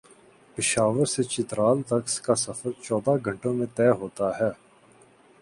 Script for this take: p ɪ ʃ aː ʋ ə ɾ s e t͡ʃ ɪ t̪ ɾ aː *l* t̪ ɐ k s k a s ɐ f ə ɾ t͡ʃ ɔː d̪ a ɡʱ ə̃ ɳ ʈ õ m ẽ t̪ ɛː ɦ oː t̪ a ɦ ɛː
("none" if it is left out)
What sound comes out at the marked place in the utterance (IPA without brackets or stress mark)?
l